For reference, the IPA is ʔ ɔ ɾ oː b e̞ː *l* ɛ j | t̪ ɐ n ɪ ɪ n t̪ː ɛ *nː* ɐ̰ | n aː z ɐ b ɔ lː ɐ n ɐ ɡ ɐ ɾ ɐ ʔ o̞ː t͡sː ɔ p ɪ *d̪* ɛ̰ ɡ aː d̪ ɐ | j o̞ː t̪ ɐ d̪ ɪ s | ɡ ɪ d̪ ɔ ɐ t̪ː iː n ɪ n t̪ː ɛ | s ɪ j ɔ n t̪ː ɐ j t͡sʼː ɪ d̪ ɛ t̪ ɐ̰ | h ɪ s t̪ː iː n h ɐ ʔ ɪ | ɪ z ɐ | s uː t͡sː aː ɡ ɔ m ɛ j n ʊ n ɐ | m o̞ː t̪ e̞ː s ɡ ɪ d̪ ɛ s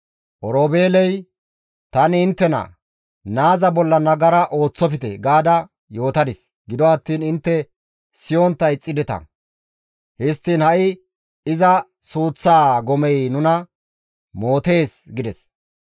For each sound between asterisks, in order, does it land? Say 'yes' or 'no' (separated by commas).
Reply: yes, no, no